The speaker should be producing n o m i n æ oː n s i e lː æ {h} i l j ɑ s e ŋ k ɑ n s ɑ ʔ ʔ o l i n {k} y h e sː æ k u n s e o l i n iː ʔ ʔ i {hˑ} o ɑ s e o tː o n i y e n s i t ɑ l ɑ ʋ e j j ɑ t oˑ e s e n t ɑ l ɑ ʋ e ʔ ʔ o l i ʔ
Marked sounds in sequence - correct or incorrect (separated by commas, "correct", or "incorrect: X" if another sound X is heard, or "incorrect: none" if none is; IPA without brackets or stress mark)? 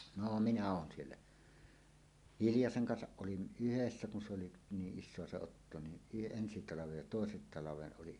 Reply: correct, incorrect: ʔ, incorrect: sˑ